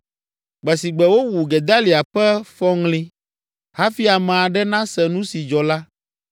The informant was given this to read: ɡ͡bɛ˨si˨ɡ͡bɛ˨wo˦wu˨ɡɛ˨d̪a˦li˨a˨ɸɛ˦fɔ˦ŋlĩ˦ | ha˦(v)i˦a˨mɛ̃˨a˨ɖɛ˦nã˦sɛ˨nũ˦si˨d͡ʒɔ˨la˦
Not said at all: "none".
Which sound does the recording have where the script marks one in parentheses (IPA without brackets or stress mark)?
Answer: f